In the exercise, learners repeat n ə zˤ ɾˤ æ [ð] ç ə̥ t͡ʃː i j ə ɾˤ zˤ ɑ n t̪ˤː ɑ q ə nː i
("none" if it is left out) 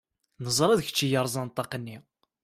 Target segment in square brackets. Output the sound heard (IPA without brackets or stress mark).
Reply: ð